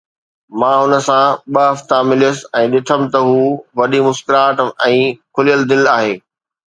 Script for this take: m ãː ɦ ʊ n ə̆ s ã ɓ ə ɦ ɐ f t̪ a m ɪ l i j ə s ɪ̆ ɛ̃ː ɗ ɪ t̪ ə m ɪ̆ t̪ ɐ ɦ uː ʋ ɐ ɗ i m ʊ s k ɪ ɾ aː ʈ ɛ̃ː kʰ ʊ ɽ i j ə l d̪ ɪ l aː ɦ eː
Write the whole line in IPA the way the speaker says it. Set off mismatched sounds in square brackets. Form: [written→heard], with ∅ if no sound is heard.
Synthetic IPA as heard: m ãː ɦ ʊ n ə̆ s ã ɓ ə ɦ ɐ f t̪ a m ɪ l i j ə s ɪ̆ ɛ̃ː ɗ ɪ [t̪→t̪ʰ] ə m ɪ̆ t̪ ɐ ɦ uː ʋ ɐ ɗ i m ʊ s k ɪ ɾ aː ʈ ɛ̃ː kʰ ʊ [ɽ→l] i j ə l d̪ ɪ l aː ɦ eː